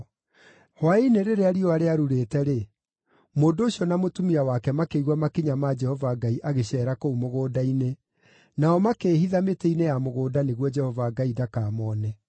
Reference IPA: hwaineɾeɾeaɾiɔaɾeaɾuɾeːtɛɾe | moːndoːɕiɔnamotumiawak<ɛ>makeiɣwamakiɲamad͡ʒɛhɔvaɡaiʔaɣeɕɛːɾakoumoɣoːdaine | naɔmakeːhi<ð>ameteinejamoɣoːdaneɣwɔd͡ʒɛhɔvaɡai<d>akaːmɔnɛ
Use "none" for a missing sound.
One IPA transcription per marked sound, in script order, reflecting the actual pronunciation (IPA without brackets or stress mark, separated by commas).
ɛ, ð, d